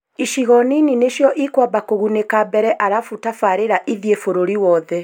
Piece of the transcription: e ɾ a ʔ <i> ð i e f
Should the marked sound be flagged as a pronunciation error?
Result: no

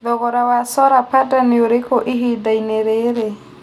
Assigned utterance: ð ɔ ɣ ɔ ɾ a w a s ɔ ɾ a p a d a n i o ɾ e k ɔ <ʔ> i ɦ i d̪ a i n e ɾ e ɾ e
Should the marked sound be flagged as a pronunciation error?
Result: no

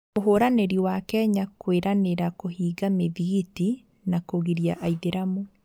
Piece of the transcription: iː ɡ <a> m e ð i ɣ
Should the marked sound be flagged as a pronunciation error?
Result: no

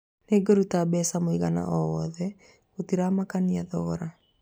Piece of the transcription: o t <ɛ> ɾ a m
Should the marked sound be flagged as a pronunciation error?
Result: yes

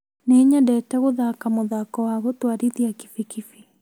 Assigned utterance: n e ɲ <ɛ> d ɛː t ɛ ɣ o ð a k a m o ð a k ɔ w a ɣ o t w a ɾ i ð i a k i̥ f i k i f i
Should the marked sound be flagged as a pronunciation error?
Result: yes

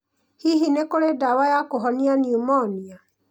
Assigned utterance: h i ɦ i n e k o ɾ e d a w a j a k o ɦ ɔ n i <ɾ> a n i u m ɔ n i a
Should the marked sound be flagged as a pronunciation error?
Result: yes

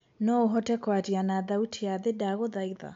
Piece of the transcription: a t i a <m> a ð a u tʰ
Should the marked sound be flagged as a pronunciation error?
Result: yes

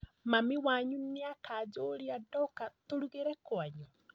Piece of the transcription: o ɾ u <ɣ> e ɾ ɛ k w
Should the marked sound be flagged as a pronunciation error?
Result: no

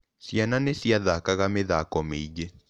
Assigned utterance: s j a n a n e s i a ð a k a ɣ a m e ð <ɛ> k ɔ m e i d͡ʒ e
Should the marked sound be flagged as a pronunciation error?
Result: yes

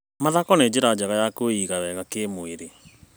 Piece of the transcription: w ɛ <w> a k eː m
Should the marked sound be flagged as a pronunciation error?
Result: yes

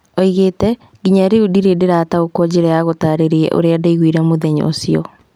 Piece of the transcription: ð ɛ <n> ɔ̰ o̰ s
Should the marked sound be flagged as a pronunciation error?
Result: yes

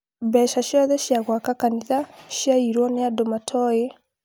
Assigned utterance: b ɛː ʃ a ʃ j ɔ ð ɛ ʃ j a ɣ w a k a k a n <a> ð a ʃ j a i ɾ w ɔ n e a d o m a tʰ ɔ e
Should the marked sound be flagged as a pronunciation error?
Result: yes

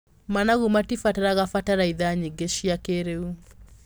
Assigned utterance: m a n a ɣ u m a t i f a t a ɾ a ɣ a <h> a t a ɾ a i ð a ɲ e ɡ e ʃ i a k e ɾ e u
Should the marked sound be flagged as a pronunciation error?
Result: yes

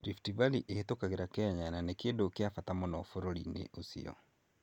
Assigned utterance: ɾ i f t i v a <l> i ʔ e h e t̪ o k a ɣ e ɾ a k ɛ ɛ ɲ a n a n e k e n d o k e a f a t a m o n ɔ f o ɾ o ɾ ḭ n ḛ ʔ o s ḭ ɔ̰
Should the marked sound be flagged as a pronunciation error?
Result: no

